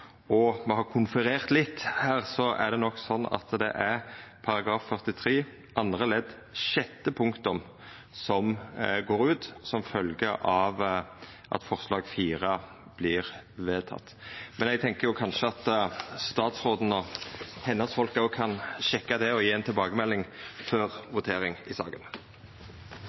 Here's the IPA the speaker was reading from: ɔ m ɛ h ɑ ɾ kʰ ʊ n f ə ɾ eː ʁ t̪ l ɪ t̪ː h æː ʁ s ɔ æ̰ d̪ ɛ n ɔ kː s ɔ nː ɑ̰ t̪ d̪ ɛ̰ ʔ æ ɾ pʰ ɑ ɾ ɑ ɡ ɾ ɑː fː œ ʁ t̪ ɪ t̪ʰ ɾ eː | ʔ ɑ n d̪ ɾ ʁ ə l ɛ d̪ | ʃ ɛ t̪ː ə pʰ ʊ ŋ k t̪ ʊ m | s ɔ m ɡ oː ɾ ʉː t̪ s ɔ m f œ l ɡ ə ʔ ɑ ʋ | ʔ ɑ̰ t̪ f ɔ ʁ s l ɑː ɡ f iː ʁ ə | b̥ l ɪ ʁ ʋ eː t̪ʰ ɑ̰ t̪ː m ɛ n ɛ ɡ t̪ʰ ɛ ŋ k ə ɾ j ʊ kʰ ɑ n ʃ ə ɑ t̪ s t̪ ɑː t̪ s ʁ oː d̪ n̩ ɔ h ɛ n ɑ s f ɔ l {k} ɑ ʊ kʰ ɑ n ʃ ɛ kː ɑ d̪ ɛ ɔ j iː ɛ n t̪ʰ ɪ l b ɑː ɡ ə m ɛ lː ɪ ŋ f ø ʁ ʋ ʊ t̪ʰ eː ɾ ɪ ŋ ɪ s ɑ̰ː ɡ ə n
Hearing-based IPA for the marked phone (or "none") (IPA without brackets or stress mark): k